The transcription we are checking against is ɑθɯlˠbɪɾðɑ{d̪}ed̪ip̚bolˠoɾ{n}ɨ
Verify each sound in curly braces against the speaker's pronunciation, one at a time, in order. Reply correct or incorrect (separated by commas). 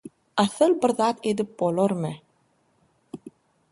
incorrect, incorrect